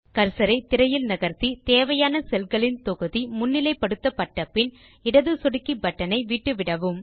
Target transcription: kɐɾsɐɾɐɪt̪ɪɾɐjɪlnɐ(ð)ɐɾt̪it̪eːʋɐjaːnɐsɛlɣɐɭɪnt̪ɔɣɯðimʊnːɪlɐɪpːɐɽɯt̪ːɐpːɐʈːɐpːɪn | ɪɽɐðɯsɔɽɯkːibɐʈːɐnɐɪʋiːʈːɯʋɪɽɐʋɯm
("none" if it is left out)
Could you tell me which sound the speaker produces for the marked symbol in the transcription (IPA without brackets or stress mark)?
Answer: ɣ